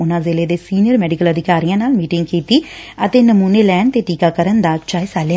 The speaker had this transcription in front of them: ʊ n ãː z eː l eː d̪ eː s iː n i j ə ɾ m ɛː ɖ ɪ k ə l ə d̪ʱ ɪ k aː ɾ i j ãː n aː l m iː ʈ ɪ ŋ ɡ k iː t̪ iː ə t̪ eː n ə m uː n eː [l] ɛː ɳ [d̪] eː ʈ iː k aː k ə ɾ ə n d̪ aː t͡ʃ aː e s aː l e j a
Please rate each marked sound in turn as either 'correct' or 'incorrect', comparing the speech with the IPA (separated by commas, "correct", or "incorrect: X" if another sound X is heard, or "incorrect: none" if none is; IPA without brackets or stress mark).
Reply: correct, incorrect: t̪